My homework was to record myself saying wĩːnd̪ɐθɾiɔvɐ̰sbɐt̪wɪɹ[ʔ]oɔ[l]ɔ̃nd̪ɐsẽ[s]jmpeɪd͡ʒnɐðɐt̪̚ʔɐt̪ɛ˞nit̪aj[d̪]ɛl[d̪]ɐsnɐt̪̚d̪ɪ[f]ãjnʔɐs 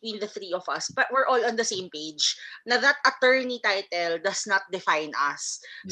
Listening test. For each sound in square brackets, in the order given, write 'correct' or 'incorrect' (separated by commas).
correct, correct, incorrect, incorrect, correct, correct